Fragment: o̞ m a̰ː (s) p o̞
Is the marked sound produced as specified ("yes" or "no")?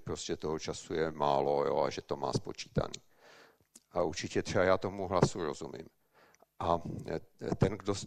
yes